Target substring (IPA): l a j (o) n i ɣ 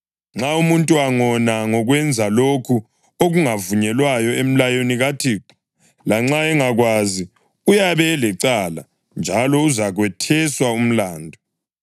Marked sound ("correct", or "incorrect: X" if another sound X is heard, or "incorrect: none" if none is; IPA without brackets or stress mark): correct